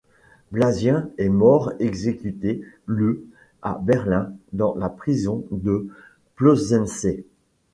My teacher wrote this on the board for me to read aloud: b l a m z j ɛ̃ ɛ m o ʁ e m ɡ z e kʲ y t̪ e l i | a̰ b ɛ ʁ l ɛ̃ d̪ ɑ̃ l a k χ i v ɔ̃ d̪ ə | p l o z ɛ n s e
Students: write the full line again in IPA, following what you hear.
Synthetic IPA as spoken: b l a z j ɛ̃ ɛ m ɔ ʁ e ɡ z e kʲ y t̪ e l y | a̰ b ɛ ʁ l ɛ̃ d̪ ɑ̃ l a p χ i z ɔ̃ d̪ ə | p l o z ɛ n s e